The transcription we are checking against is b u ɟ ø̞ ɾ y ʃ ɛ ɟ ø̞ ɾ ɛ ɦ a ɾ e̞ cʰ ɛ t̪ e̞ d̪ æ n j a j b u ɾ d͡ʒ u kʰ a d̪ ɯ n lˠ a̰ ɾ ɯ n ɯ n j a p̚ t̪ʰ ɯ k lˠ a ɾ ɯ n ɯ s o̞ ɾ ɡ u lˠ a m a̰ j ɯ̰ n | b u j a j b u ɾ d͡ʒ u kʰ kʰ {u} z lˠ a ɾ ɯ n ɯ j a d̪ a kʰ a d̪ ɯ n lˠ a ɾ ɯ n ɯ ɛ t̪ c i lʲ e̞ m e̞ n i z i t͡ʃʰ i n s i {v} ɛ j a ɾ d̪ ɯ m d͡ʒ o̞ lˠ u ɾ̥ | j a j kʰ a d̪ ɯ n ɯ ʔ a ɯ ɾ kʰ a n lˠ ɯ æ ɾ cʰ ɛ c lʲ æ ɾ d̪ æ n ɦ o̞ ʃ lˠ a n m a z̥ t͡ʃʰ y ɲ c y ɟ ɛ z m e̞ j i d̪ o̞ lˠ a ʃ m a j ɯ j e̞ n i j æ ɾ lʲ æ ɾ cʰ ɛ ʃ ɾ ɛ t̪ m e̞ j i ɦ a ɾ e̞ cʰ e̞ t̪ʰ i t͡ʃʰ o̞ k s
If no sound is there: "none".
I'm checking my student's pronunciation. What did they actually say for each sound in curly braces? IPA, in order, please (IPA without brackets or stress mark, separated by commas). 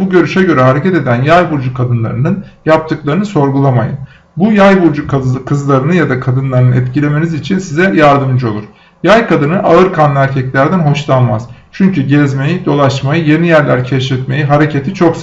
ɯ, z